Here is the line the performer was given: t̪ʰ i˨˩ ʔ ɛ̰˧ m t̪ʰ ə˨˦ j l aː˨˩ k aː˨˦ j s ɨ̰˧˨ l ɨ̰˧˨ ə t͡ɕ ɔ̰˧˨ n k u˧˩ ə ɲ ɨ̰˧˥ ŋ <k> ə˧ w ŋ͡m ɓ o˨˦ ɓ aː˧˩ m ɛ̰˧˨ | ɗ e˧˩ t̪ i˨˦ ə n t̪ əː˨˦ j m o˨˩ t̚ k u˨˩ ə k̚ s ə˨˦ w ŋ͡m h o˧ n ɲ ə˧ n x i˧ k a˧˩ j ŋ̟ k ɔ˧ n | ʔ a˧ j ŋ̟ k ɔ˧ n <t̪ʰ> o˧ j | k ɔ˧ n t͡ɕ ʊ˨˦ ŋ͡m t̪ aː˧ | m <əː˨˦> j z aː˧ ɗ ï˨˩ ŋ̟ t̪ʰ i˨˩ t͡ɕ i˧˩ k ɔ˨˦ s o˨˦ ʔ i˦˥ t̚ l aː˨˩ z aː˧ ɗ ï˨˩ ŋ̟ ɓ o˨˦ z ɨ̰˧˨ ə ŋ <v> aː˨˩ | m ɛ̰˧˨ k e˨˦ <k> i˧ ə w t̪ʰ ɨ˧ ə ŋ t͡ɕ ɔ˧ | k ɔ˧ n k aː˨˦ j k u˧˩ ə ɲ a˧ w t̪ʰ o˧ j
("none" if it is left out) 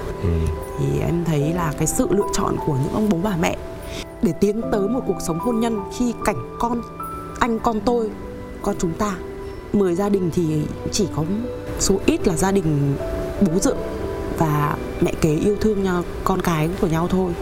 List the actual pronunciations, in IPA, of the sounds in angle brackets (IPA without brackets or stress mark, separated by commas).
ʔ, t̪, əː˨˩, v, ʔ